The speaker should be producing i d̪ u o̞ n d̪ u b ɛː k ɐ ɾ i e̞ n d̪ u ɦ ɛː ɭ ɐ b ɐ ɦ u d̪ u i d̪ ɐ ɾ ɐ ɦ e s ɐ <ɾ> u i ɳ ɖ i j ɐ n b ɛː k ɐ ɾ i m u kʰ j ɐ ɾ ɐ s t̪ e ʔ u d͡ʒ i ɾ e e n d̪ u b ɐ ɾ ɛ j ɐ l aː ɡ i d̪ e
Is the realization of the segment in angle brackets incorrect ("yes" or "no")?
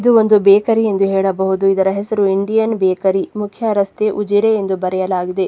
no